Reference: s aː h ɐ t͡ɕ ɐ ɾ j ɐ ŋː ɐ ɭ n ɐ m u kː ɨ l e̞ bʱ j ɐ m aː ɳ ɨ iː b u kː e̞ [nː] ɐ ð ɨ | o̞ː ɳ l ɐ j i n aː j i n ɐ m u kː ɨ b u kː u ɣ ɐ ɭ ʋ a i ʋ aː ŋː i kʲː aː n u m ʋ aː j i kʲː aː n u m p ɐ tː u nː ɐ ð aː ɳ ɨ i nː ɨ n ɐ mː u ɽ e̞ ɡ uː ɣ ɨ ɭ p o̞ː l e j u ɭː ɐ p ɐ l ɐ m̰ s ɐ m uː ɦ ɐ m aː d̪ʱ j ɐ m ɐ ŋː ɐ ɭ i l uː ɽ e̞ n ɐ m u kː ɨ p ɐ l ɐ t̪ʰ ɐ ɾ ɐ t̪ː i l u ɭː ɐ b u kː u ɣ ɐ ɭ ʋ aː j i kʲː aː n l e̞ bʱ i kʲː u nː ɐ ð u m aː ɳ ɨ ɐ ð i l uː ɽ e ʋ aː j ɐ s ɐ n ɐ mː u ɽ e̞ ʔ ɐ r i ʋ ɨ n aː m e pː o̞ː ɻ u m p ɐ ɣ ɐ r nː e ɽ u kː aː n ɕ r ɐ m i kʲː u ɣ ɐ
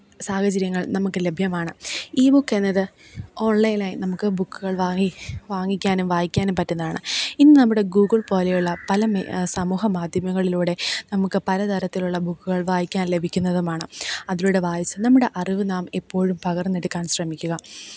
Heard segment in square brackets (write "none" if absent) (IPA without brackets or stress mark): nː